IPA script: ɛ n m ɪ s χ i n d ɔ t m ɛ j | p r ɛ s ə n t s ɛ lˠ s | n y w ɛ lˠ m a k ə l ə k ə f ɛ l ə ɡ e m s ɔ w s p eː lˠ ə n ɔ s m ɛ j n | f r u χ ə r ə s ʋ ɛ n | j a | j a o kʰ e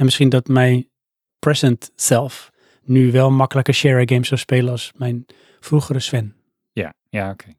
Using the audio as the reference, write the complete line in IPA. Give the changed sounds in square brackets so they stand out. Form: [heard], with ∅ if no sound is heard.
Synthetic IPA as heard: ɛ n m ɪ s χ i n d ɔ t m ɛ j | p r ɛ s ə n t s ɛ lˠ [f] | n y [ʋ] ɛ lˠ m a k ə l ə k ə [ʃ] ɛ [ɹ] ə ɡ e m s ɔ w s p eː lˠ ə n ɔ s m ɛ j n | f r u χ ə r ə s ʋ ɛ n | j a | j a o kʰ e